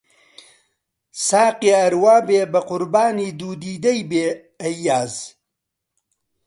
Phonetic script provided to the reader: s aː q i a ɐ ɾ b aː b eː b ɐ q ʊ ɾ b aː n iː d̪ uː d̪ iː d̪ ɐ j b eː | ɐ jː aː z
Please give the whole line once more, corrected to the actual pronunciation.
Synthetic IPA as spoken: s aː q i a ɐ ɾ w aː b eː b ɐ q ʊ ɾ b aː n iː d̪ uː d̪ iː d̪ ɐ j b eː | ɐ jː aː z